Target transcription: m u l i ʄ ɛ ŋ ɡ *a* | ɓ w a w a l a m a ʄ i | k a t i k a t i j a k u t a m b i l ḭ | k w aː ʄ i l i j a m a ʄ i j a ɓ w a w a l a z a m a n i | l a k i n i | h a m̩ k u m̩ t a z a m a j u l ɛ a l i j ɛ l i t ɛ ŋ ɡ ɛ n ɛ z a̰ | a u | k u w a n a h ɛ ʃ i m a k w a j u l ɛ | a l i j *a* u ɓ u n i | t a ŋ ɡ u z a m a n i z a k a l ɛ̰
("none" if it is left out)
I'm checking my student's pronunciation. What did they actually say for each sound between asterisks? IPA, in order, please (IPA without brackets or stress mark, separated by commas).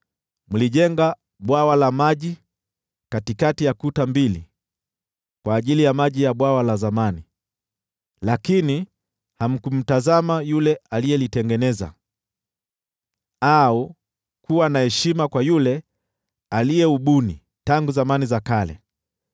a, ɛ